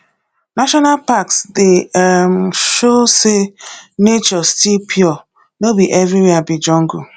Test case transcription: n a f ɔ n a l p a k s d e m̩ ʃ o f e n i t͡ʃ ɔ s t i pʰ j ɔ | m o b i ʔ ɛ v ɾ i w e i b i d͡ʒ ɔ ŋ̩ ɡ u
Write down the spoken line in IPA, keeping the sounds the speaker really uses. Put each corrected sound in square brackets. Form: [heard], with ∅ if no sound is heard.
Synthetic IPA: n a [ʃ] ɔ n a l p a k s d e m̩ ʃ o [s] e n [e] t͡ʃ ɔ s t i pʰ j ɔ | [n] o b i ʔ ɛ v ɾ i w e [a] b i d͡ʒ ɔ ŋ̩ ɡ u